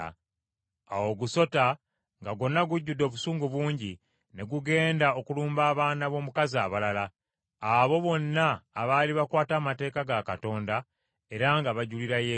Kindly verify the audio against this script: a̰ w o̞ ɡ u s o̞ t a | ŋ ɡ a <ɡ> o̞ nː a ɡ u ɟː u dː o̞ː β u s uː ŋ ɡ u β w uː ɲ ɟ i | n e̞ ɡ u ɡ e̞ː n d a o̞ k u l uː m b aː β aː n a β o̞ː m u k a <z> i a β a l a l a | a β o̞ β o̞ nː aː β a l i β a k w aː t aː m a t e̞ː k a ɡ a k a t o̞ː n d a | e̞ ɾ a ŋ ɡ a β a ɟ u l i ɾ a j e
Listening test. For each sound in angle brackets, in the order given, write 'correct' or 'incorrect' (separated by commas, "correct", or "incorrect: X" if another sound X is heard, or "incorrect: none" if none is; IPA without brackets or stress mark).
correct, correct